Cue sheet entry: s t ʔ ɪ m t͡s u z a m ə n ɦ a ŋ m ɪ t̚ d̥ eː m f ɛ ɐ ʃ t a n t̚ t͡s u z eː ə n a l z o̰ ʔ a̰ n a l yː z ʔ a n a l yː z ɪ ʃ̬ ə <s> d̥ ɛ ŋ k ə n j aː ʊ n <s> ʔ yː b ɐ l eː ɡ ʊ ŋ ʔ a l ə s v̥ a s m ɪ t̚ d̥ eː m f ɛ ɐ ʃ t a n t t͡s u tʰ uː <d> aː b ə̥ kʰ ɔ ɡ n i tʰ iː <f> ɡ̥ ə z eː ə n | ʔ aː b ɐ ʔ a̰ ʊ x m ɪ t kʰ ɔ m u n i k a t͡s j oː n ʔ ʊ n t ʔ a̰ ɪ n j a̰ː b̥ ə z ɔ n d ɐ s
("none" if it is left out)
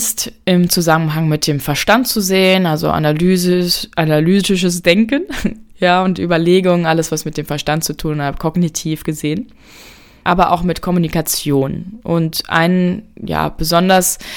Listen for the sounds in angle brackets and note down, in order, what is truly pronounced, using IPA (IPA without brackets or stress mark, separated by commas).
s, t, n, f